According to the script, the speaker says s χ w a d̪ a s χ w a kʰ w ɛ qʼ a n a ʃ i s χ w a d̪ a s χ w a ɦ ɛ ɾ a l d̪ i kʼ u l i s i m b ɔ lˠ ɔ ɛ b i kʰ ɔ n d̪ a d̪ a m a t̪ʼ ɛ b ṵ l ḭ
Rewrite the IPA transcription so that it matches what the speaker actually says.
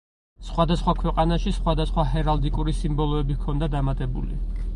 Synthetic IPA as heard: s χ w a d̪ a s χ w a kʰ w ɛ qʼ a n a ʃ i s χ w a d̪ a s χ w a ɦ ɛ ɾ a l d̪ i kʼ u ɾ i s i m b ɔ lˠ ɔ ɛ b i kʰ ɔ n d̪ a d̪ a m a t̪ʼ ɛ b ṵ l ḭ